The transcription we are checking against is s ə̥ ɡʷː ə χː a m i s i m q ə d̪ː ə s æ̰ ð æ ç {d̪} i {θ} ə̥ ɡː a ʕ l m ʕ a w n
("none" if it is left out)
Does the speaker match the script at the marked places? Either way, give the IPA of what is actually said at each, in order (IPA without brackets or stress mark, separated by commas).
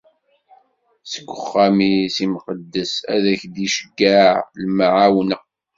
d̪, ʃ